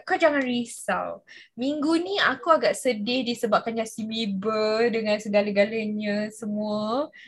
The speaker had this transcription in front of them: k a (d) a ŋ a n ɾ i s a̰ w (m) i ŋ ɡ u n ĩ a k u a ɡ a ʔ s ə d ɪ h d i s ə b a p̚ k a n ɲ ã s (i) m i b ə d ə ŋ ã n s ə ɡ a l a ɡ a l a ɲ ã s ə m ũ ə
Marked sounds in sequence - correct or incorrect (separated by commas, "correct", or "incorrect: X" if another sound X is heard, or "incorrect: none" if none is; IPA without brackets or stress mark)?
incorrect: d͡ʒ, correct, correct